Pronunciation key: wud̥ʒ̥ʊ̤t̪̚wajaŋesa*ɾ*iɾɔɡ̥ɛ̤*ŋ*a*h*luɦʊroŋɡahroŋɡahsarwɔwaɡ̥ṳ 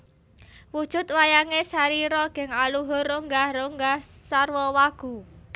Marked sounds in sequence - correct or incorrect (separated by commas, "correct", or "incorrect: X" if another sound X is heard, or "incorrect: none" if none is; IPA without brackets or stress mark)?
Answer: correct, correct, incorrect: none